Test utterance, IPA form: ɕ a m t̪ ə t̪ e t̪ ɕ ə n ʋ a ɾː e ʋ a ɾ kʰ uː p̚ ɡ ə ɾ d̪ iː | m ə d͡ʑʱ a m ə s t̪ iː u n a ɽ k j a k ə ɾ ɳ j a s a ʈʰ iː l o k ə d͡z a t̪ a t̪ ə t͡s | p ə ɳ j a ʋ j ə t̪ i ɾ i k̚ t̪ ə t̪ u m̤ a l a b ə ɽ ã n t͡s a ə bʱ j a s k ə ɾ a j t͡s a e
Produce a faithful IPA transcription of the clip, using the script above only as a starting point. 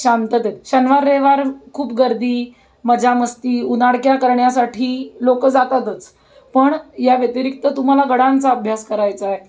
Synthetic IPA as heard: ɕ a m t̪ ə t̪ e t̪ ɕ ə n ʋ a ɾː e ʋ a ɾ kʰ uː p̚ ɡ ə ɾ d̪ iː | m ə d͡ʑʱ a m ə s t̪ iː u n a ɽ k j a k ə ɾ ɳ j a s a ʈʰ iː l o k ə d͡z a t̪ a t̪ ə t͡s | p ə ɳ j a ʋ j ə t̪ i ɾ i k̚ t̪ ə t̪ u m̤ a l a ɡ ə ɽ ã n t͡s a ə bʱ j a s k ə ɾ a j t͡s a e